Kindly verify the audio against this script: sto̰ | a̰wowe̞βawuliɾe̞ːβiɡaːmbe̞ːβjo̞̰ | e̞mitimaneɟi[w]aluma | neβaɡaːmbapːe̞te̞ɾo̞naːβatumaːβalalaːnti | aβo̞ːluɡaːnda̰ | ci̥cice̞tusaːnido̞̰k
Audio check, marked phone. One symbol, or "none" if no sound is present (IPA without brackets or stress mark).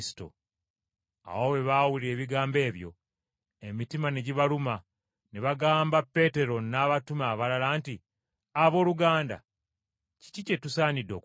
β